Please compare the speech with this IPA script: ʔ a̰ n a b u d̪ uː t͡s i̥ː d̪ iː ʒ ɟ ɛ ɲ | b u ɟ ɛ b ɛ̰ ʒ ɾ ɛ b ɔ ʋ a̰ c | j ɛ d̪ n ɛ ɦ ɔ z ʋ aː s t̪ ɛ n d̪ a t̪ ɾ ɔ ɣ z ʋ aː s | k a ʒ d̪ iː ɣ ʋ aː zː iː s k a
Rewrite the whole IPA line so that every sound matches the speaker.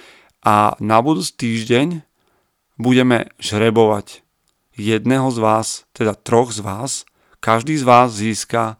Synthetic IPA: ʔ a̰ n a b u d̪ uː t͡s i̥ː t̪ iː ʒ ɟ ɛ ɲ | b u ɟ ɛ m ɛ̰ ʒ ɾ ɛ b ɔ ʋ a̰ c | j ɛ d̪ n ɛ ɦ ɔ z ʋ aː s t̪ ɛ d̪ a t̪ ɾ ɔ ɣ z ʋ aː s | k a ʒ d̪ iː z ʋ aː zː iː s k a